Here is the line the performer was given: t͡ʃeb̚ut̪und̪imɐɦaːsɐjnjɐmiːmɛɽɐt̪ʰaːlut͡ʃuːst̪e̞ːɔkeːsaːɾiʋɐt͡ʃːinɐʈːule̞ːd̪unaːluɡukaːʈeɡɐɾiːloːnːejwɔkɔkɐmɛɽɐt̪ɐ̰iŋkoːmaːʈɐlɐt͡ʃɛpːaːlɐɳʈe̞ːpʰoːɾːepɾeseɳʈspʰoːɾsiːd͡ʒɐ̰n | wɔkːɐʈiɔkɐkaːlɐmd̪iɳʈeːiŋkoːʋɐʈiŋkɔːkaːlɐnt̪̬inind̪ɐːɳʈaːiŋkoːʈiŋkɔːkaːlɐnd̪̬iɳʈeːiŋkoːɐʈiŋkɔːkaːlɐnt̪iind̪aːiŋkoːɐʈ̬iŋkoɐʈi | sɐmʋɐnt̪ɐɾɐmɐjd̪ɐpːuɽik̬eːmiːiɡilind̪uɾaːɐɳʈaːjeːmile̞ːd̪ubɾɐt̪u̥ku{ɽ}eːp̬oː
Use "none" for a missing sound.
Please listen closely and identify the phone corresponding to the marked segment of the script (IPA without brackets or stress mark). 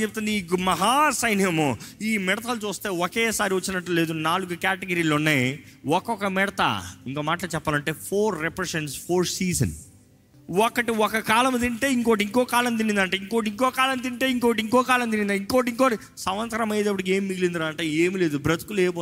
l